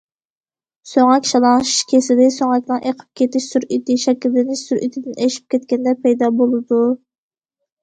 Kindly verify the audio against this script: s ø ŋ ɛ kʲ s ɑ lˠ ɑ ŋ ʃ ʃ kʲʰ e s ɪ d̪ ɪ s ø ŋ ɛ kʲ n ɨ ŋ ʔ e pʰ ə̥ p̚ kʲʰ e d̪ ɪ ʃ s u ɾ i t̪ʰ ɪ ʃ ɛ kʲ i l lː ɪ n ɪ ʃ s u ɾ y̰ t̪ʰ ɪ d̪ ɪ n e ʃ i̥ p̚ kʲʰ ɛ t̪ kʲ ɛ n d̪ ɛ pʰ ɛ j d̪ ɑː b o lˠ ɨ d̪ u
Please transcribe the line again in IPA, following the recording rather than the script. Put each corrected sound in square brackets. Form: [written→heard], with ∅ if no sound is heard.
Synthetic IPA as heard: s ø ŋ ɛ kʲ [s→ʃ] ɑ lˠ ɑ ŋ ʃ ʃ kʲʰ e s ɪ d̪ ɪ s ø ŋ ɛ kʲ n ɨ ŋ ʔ e [pʰ→qʰ] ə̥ p̚ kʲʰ e [d̪→t̪] ɪ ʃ s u ɾ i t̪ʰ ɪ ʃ ɛ kʲ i l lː ɪ n ɪ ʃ s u ɾ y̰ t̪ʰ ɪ d̪ ɪ n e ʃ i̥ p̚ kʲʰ ɛ t̪ kʲ ɛ n d̪ ɛ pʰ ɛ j d̪ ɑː b o lˠ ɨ d̪ u

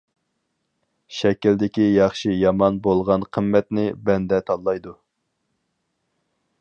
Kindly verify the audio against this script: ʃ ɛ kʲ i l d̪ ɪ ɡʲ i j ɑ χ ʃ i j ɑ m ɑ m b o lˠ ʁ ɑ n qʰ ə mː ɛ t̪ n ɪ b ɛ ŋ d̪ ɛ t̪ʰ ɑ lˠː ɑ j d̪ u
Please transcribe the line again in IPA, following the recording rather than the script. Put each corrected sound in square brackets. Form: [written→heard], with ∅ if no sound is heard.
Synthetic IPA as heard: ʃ ɛ kʲ i l d̪ ɪ [ɡʲ→kʲ] i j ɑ χ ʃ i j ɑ m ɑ [m→n] b o lˠ ʁ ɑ n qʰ ə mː ɛ t̪ n ɪ b ɛ [ŋ→n] d̪ ɛ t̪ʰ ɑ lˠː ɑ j d̪ u

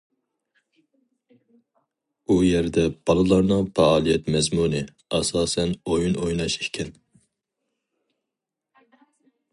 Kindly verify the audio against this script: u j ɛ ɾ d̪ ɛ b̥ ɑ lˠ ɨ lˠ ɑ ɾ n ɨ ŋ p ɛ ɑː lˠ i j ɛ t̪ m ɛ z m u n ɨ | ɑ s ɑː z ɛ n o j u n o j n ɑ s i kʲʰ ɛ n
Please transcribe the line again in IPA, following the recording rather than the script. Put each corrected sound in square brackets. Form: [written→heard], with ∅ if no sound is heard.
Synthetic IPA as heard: u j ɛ ɾ d̪ ɛ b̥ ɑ lˠ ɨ lˠ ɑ ɾ n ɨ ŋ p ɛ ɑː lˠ i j ɛ t̪ m ɛ z m u n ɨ | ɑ s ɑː [z→s] ɛ n o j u n o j n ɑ [s→ʃ] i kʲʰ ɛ n

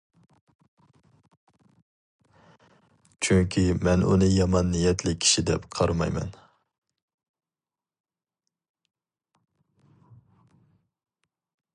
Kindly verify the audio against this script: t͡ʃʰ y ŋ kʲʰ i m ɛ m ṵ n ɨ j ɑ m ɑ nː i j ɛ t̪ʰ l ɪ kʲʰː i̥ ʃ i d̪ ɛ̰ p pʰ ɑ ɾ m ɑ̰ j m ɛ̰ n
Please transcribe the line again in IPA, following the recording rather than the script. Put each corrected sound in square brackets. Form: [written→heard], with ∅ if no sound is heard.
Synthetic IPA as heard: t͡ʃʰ y ŋ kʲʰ i m ɛ [m→n] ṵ n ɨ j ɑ m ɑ nː i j ɛ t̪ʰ l ɪ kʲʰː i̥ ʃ i d̪ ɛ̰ p [pʰ→qʰ] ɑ ɾ m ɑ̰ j m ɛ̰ n

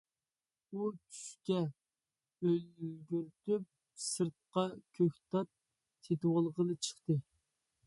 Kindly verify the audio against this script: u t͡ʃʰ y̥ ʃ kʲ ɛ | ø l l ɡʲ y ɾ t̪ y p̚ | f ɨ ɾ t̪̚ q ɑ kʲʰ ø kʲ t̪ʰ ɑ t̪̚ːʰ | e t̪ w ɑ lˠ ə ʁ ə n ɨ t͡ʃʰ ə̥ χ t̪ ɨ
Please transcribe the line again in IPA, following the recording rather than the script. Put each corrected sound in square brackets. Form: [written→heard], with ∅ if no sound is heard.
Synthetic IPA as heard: u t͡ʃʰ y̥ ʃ kʲ ɛ | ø l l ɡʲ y ɾ t̪ y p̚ | [f→s] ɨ ɾ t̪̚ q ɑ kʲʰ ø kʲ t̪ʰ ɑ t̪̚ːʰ | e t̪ w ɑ lˠ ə ʁ ə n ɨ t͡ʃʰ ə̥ χ t̪ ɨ

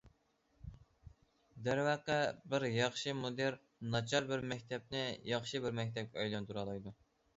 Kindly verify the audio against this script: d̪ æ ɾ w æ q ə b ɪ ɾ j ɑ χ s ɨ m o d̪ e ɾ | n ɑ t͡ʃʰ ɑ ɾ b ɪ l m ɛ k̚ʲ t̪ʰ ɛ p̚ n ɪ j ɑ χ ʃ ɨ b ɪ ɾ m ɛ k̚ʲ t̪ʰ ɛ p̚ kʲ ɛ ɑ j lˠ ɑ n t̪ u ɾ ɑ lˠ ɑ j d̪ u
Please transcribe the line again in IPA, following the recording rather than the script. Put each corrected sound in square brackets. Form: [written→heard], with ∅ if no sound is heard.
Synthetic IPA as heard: d̪ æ ɾ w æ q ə b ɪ ɾ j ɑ χ [s→ʃ] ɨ m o d̪ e ɾ | n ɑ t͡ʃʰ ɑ ɾ b ɪ [l→ɾ] m ɛ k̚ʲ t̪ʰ ɛ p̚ n ɪ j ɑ χ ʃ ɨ b ɪ ɾ m ɛ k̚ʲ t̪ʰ ɛ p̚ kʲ ɛ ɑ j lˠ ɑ n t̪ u ɾ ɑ lˠ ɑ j d̪ u

